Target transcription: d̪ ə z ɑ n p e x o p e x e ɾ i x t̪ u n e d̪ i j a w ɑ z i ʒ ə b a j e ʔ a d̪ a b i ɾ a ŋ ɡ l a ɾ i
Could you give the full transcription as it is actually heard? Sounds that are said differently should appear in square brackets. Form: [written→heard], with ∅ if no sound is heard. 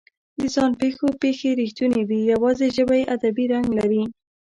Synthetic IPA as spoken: d̪ ə z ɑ n p e x o p e x e ɾ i x t̪ u n e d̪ i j a w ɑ z [i→e] ʒ ə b a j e ʔ a d̪ a b i ɾ a ŋ ɡ l a ɾ i